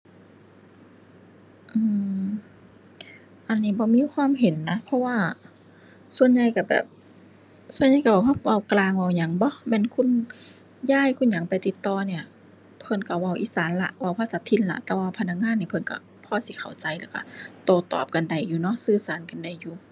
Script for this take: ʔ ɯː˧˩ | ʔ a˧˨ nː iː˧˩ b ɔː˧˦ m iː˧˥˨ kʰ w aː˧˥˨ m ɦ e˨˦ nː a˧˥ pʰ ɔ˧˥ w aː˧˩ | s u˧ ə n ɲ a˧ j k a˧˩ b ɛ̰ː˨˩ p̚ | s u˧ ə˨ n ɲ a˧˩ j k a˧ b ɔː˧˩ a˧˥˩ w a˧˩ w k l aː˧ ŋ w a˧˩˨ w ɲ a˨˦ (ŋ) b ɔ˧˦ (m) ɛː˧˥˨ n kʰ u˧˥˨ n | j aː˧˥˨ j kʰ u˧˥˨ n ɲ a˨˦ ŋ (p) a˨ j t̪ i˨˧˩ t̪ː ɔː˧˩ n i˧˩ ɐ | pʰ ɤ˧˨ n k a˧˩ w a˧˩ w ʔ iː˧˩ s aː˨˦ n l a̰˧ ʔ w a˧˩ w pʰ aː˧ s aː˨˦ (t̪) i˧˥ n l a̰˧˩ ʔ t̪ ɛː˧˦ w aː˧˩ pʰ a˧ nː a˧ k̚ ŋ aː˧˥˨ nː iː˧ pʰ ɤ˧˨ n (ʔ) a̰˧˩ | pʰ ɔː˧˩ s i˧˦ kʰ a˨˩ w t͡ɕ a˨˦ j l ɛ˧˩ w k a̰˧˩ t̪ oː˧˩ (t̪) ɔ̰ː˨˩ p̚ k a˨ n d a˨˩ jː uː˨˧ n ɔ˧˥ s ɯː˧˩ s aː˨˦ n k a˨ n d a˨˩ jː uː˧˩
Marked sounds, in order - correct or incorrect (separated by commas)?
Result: correct, correct, correct, incorrect, incorrect, correct